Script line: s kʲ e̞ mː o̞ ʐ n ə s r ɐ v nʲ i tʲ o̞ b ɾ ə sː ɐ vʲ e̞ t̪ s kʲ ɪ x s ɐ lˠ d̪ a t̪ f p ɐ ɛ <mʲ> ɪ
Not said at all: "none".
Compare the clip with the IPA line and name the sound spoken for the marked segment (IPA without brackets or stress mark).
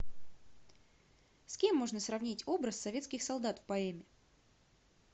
mʲ